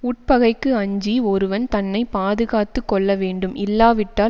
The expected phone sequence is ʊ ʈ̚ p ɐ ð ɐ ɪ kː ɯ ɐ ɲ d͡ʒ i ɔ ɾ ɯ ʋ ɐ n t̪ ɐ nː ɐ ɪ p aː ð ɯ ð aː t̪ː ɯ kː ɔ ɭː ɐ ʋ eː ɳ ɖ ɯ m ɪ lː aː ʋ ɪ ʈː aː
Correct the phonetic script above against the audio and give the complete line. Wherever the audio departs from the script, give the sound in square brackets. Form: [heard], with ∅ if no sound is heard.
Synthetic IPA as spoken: ʊ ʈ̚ p ɐ [ɣ] ɐ ɪ kː ɯ ɐ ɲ d͡ʒ i ɔ ɾ ɯ ʋ ɐ n t̪ ɐ nː ɐ ɪ p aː ð ɯ [ɣ] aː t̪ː ɯ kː ɔ ɭː ɐ ʋ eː ɳ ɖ ɯ m ɪ lː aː ʋ ɪ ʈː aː